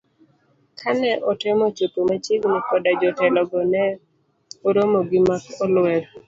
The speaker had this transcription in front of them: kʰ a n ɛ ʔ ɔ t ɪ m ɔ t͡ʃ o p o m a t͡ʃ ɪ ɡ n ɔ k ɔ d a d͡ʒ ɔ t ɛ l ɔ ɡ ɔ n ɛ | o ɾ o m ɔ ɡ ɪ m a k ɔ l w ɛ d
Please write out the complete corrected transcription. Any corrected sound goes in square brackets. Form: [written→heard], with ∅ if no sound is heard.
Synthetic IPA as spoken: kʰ a n ɛ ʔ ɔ t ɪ m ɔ t͡ʃ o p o m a t͡ʃ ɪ ɡ n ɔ k ɔ d a d͡ʒ ɔ t ɛ l ɔ ɡ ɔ n ɛ | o ɾ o m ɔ ɡ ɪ m a k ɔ l w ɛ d